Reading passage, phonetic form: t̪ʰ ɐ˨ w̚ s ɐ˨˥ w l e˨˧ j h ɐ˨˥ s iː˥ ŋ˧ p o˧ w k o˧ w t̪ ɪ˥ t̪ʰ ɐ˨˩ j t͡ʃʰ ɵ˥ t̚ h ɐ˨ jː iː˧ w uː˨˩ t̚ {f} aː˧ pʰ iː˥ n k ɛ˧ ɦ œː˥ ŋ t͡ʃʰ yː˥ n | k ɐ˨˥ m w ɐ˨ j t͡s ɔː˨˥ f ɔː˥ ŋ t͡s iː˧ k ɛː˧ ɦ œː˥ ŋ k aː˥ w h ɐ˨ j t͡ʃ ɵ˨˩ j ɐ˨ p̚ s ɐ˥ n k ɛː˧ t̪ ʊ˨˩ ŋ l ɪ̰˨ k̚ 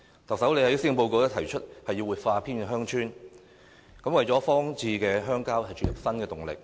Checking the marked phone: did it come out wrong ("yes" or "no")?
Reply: no